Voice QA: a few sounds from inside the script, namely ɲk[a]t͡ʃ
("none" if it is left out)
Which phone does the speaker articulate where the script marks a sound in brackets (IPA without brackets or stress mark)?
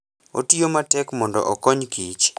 i